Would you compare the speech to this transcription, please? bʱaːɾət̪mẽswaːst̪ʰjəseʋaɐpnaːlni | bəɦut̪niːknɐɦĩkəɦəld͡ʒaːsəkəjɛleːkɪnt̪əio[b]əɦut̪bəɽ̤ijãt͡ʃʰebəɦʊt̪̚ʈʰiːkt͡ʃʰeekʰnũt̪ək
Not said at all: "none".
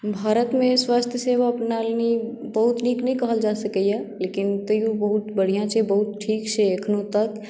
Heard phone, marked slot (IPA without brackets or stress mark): b